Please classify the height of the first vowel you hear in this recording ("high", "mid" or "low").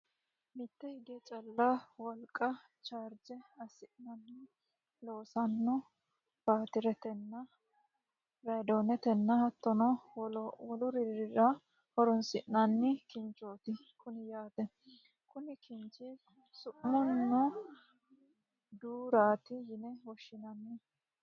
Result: high